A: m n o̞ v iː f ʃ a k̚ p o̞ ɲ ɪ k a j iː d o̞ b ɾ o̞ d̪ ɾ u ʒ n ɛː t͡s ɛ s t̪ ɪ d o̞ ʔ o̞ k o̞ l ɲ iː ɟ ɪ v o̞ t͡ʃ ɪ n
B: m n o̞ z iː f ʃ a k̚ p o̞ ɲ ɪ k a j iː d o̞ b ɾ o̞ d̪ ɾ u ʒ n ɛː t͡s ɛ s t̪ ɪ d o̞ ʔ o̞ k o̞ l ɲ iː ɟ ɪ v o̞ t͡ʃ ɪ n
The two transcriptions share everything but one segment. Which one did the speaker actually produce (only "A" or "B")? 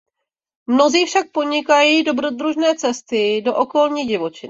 B